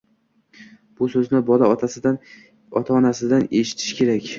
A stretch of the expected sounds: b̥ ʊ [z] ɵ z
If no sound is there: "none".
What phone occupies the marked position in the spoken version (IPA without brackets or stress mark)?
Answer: s